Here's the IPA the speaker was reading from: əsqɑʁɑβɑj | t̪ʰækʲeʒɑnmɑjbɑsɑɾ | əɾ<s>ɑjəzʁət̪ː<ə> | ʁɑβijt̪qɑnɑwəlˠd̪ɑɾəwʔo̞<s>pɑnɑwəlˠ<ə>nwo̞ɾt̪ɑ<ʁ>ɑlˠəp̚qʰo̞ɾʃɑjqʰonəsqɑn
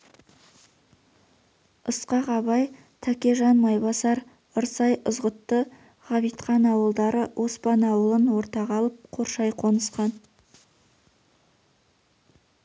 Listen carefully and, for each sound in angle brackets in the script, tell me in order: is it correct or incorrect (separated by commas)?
correct, correct, correct, correct, correct